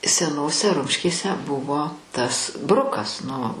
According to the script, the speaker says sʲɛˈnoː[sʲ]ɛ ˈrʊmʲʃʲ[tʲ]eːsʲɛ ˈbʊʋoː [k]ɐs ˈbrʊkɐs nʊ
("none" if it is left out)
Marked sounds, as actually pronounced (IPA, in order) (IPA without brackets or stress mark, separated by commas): sʲ, kʲ, t